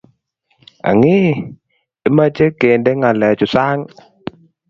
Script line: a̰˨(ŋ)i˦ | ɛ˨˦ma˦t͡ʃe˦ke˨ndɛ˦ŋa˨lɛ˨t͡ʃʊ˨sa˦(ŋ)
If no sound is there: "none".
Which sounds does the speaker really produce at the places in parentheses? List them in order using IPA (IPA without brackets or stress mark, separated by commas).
ŋ, ŋ